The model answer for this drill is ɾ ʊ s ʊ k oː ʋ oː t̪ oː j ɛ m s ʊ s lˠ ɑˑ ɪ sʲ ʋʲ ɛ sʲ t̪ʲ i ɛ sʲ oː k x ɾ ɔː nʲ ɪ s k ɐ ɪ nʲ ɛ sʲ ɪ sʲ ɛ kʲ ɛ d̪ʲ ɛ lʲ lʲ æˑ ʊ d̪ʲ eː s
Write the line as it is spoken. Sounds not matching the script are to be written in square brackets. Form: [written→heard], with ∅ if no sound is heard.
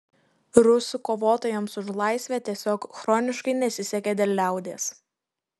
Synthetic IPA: ɾ ʊ s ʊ k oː ʋ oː t̪ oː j ɛ m s ʊ [s→ʃ] lˠ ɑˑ ɪ sʲ ʋʲ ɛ [sʲ→∅] t̪ʲ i ɛ sʲ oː k x ɾ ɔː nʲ ɪ [s→ʃ] k ɐ ɪ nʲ ɛ sʲ ɪ sʲ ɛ kʲ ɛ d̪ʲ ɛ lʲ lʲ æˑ ʊ d̪ʲ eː s